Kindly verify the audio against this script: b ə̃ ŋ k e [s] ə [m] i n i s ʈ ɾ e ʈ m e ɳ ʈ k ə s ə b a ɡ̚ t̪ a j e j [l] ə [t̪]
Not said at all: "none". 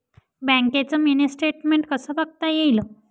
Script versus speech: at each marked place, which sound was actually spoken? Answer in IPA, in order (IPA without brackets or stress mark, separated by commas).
t͡s, m, l, none